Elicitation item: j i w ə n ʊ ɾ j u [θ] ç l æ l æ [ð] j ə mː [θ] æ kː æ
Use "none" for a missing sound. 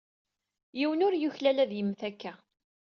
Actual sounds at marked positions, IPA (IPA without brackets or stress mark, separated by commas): none, ð, θ